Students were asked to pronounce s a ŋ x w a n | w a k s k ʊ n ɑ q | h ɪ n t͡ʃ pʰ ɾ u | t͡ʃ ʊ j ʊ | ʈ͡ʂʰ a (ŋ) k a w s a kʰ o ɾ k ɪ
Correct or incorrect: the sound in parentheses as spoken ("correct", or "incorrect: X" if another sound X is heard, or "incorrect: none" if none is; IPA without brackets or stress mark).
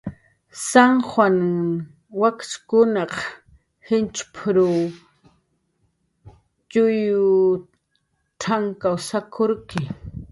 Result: correct